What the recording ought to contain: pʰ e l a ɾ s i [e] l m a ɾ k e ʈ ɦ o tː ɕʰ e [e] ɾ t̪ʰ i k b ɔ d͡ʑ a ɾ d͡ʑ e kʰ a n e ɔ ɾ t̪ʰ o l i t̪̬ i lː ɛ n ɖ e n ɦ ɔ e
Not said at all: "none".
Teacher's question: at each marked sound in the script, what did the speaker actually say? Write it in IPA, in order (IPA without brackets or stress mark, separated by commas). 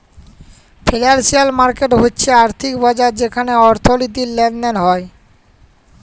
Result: a, a